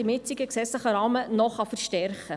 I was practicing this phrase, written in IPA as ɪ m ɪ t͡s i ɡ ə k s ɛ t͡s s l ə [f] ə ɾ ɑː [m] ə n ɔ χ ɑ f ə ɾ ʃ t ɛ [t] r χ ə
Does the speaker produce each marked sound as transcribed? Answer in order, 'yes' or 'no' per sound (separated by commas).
no, yes, no